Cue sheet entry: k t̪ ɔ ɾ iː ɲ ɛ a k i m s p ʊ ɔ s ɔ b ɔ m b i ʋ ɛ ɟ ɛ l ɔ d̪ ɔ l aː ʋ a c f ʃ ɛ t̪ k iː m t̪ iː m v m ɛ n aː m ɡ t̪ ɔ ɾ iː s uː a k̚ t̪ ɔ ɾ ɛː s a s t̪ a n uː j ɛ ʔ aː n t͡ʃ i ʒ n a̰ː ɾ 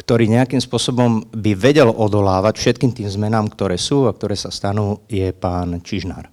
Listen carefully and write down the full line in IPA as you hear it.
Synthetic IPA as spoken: k t̪ ɔ ɾ iː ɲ ɛ a k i m s p ʊ ɔ s ɔ b ɔ m b i ʋ ɛ ɟ ɛ l ɔ d̪ ɔ l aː ʋ a c f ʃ ɛ t̪ k iː m t̪ iː m z m ɛ n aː m k t̪ ɔ ɾ ɛː s uː a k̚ t̪ ɔ ɾ ɛː s a s t̪ a n uː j ɛ p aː n t͡ʃ i ʒ n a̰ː ɾ